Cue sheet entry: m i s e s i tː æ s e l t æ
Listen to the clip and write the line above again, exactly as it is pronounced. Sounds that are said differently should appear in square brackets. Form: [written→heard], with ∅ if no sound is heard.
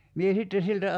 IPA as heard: m i [s→∅] e s i tː [æ→e] s [e→i] l t æ